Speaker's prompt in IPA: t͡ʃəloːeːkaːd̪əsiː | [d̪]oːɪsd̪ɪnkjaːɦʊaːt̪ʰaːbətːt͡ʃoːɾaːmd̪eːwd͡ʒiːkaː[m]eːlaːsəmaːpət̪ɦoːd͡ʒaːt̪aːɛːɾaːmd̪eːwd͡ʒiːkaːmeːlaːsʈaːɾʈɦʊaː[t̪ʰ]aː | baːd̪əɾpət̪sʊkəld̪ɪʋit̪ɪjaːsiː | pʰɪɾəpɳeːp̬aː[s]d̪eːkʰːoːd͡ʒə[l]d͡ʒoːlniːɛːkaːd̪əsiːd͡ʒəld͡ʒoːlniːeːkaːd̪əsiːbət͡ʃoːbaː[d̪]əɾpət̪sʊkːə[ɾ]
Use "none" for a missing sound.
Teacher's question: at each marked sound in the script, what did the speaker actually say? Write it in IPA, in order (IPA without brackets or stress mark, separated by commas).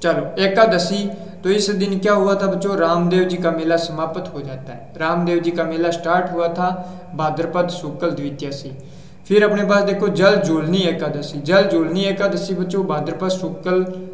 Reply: t̪, m, t̪ʰ, s, l, d̪, l